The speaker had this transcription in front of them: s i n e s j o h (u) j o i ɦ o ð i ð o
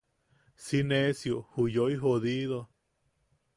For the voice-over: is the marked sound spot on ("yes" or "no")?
yes